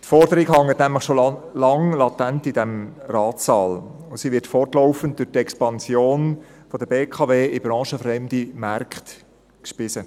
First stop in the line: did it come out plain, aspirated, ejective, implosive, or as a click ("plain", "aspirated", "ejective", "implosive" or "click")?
plain